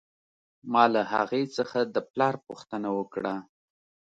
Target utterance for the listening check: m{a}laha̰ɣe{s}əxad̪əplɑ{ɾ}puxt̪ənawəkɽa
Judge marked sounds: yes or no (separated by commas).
no, no, yes